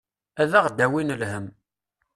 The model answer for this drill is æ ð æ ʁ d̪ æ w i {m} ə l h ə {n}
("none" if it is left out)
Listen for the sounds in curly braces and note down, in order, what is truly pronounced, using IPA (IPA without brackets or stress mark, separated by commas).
n, m